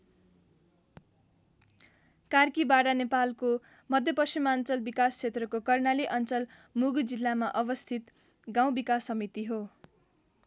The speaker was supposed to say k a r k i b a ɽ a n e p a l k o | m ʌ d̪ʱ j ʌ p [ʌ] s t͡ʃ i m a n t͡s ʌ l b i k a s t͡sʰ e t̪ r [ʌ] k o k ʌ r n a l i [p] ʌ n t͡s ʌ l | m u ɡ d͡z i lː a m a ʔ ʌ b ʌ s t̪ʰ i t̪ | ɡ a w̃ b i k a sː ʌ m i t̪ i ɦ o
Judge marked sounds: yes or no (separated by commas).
yes, yes, no